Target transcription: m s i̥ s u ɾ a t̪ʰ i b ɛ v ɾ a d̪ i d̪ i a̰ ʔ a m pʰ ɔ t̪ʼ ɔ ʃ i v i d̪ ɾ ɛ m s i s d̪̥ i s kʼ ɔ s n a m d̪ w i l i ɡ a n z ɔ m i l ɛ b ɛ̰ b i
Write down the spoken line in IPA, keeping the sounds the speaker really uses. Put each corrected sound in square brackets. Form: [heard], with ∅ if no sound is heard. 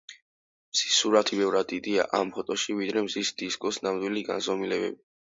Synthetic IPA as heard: m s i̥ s u ɾ a t̪ʰ i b ɛ v ɾ a d̪ i d̪ i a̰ ʔ a m pʰ ɔ t̪ʼ ɔ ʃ i v i d̪ ɾ ɛ m [z] i s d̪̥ i s kʼ ɔ s n a m d̪ w i l i ɡ a n z ɔ m i l ɛ b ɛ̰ b i